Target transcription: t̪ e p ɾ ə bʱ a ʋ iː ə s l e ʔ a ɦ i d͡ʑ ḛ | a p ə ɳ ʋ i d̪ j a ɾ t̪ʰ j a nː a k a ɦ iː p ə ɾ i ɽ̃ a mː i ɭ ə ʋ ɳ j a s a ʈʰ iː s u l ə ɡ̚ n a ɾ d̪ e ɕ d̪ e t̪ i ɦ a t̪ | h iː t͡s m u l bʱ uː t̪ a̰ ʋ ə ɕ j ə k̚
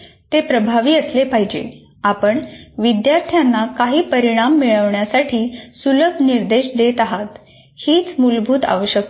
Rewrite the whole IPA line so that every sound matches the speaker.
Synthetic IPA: t̪ e p ɾ ə bʱ a ʋ iː ə s l e p a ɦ i d͡ʑ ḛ | a p ə ɳ ʋ i d̪ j a ɾ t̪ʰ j a nː a k a ɦ iː p ə ɾ i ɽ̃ a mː i ɭ ə ʋ ɳ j a s a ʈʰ iː s u l ə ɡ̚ n i ɾ d̪ e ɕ d̪ e t̪ a ɦ a t̪ | h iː t͡s m u l bʱ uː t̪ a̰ ʋ ə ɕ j ə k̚

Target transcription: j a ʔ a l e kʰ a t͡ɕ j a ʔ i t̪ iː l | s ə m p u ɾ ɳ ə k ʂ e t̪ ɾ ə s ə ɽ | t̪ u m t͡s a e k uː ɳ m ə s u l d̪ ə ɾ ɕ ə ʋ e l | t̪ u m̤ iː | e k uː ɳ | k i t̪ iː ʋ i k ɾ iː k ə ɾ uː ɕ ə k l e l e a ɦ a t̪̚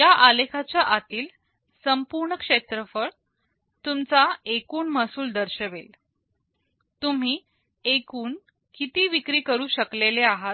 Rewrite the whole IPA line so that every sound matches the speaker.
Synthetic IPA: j a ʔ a l e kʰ a t͡ɕ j a ʔ a t̪ iː l | s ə m p u ɾ ɳ ə k ʂ e t̪ ɾ ə f ə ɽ | t̪ u m t͡s a e k uː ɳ m ə s uː l d̪ ə ɾ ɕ ə ʋ e l | t̪ u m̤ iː | e k uː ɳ | k i t̪ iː ʋ i k ɾ iː k ə ɾ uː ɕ ə k l e l e a ɦ a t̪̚

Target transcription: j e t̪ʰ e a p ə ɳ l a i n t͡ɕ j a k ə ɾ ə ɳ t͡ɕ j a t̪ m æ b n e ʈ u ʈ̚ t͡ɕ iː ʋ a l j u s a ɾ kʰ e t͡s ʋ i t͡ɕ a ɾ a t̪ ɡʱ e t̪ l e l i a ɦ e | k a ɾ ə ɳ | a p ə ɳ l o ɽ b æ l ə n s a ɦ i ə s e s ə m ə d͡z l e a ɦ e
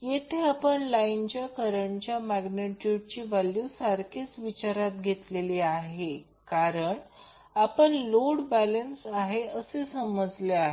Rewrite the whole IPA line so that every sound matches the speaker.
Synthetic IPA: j e t̪ʰ e a p ə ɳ l a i n t͡ɕ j a k ə ɾ ə ɳ t͡ɕ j a m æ ɡ n e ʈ u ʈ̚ t͡ɕ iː ʋ a l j u s a ɾ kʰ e t͡s ʋ i t͡ɕ a ɾ a t̪ ɡʱ e t̪ l e l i a ɦ e | k a ɾ ə ɳ | a p ə ɳ l o ɽ b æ l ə n s a ɦ e ə s e s ə m ə d͡z l e a ɦ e

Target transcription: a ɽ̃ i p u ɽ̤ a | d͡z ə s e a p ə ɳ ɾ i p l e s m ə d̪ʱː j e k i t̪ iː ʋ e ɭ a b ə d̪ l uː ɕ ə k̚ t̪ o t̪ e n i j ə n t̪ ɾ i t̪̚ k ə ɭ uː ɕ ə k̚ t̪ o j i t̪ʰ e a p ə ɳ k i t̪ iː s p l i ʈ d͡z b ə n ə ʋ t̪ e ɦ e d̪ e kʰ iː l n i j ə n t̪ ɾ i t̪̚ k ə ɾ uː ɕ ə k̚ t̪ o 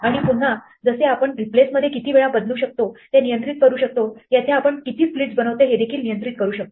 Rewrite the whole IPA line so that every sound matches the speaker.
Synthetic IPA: a ɽ̃ i p u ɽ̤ a | d͡z ə s e a p ə ɳ ɾ i p l e s m ə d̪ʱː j e k i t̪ iː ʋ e ɭ a b ə d̪ l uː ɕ ə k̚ t̪ o t̪ e n i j ə n t̪ ɾ i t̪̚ k ə ɾ uː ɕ ə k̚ t̪ o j a t̪ʰ e a p ə ɳ k i t̪ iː s p l i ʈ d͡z b ə n ə ʋ t̪ e ɦ e d̪ e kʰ iː l n i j ə n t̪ ɾ i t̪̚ k ə ɾ uː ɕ ə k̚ t̪ o

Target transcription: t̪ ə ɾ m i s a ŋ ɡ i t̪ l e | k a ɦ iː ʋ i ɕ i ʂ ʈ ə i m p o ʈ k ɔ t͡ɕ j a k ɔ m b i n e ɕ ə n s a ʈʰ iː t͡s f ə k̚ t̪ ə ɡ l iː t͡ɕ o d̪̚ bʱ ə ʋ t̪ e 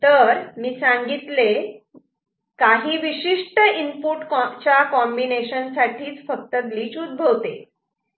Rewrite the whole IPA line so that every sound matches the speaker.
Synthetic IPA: t̪ ə ɾ m iː s a ŋ ɡ i t̪ l e | k a ɦ iː ʋ i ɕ i ʂ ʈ ə i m p u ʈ k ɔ t͡ɕ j a k ɔ m b i n e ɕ ə n s a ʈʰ iː t͡s f ə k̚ t̪ ə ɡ l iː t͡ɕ u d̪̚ bʱ ə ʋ t̪ e

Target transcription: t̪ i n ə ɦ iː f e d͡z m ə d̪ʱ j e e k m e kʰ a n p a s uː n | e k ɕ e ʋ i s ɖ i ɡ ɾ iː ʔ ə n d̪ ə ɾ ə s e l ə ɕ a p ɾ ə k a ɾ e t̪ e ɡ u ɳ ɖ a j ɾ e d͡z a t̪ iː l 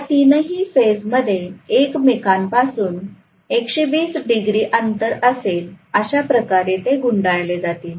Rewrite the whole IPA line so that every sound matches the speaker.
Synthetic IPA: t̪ i n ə ɦ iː f e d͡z m ə d̪ʱ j e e k m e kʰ a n p a s uː n | e k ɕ e ʋ iː s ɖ i ɡ ɾ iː ʔ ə n t̪ ə ɾ ə s e l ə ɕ a p ɾ ə k a ɾ e t̪ e ɡ u ɳ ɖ a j l e d͡z a t̪ iː l

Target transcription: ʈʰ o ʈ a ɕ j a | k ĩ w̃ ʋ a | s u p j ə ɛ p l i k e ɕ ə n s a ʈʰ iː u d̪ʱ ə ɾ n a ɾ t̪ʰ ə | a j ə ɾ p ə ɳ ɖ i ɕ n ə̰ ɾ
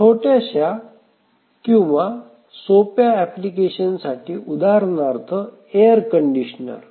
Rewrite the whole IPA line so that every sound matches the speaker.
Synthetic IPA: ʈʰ o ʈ a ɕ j a | k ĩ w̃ ʋ a | s o p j a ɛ p l i k e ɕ ə n s a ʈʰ iː u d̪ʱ a ɾ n a ɾ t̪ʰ ə | e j ə ɾ k ə ɳ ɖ i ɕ n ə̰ ɾ

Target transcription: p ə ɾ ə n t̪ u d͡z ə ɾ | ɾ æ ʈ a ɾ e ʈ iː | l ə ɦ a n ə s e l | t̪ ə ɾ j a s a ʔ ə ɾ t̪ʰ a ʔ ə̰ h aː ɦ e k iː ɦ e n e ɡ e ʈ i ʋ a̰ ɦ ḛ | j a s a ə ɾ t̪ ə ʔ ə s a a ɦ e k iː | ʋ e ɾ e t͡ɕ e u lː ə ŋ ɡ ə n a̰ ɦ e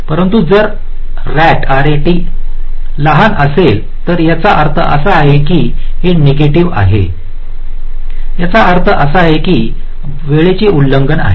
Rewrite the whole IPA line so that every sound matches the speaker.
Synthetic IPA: p ə ɾ ə n t̪ u d͡z ə ɾ | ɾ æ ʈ a ɾ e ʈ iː | l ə ɦ a n ə s e l | t̪ ə ɾ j a t͡s a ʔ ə ɾ t̪ʰ ə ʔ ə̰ s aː ɦ e k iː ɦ e n e ɡ e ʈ i ʋ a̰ ɦ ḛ | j a t͡s a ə ɾ t̪ʰ ə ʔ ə s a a ɦ e k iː | ʋ e ɭ e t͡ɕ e u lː ə ŋ ɡ ə n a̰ ɦ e

